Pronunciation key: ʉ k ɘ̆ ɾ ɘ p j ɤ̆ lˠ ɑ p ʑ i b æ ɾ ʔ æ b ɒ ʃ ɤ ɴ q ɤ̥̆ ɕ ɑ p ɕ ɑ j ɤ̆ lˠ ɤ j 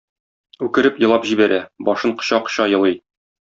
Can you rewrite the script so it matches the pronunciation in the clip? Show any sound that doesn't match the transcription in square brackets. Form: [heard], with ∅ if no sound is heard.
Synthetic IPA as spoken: ʉ k ɘ̆ ɾ ɘ p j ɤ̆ lˠ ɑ p ʑ i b æ ɾ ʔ æ b ɒ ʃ ɤ ɴ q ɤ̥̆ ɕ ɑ [q] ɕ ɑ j ɤ̆ lˠ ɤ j